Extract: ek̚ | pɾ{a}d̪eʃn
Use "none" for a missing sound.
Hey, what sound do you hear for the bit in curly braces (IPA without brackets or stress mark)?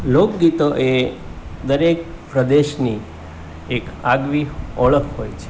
ə